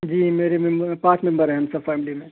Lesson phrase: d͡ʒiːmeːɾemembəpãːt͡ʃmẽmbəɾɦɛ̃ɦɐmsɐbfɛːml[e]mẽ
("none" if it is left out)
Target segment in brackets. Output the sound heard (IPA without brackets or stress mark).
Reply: i